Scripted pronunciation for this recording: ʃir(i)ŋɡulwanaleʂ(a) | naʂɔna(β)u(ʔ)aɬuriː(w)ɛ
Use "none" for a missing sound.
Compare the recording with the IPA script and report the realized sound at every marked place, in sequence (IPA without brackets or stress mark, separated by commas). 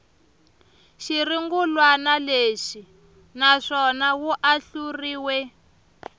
i, i, w, ʔ, w